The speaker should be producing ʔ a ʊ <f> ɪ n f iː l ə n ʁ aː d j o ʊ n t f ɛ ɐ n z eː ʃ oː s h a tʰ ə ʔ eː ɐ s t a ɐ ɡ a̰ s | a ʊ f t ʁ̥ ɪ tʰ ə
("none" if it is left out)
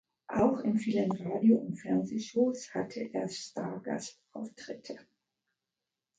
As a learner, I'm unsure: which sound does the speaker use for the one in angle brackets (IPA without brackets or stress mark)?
x